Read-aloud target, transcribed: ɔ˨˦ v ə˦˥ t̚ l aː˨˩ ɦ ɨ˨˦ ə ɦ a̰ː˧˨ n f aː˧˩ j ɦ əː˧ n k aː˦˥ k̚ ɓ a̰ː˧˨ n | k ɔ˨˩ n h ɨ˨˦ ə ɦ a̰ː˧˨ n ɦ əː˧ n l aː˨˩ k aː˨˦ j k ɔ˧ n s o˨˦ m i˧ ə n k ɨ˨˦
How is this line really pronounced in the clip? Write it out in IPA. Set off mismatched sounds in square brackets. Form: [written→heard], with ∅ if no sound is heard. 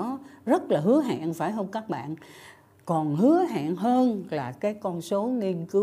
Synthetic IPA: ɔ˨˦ [v→z] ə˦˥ t̚ l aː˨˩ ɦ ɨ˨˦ ə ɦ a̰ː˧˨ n f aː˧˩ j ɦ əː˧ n k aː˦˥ k̚ ɓ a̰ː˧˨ n | k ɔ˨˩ n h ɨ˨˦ ə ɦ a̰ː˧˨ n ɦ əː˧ n l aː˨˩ k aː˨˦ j k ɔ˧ n s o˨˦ [m→ŋ] i˧ ə n k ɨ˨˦